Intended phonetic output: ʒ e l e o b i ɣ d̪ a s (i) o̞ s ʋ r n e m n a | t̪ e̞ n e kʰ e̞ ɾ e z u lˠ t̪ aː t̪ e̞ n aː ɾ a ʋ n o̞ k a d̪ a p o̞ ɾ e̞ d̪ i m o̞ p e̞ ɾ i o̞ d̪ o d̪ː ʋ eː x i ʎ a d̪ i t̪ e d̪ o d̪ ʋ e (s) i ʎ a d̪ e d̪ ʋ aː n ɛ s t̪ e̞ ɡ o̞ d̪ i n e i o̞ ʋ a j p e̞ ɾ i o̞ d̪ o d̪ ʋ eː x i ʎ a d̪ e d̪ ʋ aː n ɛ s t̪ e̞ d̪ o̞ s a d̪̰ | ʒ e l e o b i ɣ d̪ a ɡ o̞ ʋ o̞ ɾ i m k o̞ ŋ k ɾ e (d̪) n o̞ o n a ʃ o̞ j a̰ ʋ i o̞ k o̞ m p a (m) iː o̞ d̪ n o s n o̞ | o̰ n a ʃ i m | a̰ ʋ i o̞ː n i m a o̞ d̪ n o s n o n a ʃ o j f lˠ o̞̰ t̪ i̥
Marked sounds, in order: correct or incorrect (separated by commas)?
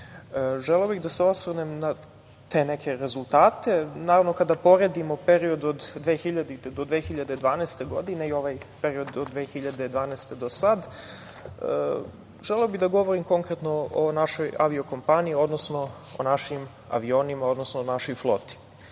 incorrect, incorrect, incorrect, incorrect